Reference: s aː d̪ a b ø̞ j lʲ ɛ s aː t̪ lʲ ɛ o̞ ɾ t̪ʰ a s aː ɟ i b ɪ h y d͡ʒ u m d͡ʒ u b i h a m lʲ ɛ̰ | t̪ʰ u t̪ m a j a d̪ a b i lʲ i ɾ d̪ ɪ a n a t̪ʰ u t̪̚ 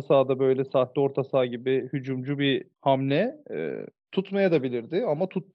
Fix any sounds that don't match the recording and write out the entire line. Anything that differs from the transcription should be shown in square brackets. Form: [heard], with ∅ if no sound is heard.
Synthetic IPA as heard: s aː d̪ a b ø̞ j lʲ ɛ s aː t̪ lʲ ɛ o̞ ɾ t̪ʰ a s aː ɟ i b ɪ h y d͡ʒ u m d͡ʒ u b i h a m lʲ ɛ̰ | t̪ʰ u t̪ m a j a d̪ a b i lʲ i ɾ d̪ ɪ a [m] a t̪ʰ u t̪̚